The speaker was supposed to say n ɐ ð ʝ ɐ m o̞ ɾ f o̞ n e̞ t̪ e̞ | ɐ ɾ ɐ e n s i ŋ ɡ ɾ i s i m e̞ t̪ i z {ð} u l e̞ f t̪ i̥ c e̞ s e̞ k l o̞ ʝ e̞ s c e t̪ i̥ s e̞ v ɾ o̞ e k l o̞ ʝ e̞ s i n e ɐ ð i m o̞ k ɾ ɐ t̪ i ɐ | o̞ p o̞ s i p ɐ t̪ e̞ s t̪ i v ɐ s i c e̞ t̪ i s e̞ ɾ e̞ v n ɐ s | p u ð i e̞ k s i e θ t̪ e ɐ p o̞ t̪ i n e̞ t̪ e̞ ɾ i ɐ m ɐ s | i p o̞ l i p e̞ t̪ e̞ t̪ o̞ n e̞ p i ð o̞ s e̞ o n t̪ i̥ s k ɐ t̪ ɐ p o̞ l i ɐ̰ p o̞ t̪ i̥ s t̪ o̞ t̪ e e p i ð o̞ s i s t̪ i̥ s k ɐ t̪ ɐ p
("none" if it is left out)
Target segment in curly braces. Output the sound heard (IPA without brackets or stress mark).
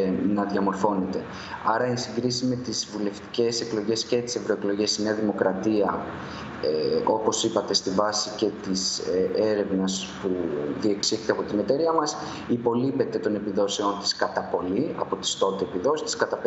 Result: v